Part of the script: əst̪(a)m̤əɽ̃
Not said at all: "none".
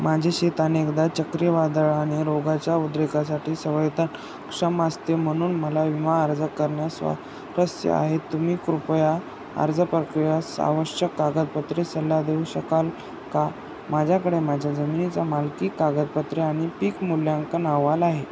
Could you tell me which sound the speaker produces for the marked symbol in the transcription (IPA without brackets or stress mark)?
e